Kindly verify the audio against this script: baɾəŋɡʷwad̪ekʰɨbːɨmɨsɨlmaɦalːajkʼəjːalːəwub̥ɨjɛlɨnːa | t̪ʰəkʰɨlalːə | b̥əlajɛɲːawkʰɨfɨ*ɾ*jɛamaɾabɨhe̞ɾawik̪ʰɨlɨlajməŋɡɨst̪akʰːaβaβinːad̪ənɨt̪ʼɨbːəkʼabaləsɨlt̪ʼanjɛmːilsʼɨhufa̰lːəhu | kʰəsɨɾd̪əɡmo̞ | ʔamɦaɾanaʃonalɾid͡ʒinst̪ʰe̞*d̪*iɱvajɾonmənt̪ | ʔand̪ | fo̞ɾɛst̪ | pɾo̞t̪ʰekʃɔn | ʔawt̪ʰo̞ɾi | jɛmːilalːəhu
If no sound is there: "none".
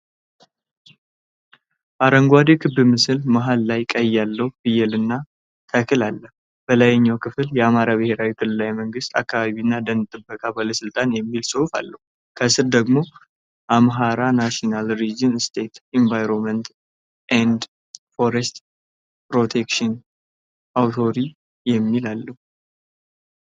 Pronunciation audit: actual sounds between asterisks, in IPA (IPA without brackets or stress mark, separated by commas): l, t̪